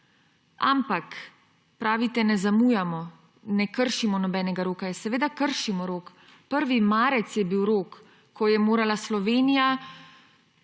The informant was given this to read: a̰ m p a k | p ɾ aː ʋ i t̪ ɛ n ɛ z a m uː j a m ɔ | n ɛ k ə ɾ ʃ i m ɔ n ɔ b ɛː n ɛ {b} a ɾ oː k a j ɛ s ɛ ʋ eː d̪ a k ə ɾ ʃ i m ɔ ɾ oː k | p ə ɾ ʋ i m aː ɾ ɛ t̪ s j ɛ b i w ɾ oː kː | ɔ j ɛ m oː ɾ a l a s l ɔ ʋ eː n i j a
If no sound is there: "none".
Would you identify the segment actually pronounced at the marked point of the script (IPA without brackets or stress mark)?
ɡ